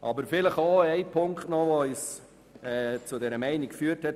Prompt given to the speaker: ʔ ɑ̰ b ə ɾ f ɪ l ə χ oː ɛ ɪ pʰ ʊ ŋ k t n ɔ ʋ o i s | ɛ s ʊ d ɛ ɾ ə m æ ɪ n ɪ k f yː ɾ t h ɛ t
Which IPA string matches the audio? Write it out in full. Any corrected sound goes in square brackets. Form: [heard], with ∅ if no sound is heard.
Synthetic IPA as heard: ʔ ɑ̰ b ə ɾ f ɪ l ə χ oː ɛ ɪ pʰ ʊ ŋ k t n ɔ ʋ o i s | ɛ [t͡s] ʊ d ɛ ɾ ə m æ ɪ n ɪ k f yː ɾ t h ɛ t